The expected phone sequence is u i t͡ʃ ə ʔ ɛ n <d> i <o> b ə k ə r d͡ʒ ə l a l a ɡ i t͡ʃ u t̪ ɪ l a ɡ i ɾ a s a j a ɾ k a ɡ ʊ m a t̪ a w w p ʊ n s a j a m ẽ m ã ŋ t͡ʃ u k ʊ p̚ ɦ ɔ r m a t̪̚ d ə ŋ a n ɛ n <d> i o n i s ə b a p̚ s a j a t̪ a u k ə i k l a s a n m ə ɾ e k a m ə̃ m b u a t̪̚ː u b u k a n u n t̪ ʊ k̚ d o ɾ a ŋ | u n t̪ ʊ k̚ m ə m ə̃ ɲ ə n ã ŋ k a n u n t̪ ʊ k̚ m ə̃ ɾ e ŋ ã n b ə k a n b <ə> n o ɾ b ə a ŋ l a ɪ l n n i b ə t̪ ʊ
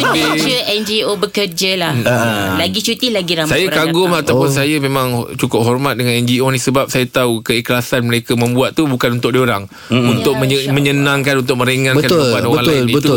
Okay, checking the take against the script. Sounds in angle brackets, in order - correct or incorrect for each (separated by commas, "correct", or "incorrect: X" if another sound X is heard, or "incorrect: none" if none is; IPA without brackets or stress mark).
incorrect: d͡ʒ, correct, incorrect: d͡ʒ, incorrect: a